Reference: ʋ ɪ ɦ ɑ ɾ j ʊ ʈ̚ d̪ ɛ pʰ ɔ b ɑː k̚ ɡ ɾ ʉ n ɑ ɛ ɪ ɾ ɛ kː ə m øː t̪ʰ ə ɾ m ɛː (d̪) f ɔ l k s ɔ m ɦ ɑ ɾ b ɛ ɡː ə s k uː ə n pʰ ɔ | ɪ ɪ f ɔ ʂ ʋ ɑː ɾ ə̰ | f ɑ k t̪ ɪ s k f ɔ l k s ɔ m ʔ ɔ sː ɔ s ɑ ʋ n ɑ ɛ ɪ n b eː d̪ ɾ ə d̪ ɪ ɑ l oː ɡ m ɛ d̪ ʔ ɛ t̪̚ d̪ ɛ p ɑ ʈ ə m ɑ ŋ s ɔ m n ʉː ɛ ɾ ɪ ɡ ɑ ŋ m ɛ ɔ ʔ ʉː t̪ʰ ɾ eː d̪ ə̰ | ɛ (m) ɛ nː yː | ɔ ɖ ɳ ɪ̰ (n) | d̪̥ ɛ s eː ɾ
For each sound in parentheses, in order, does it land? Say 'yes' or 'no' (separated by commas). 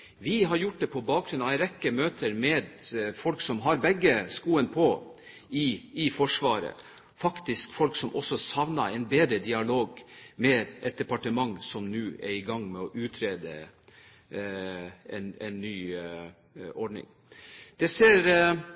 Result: yes, no, no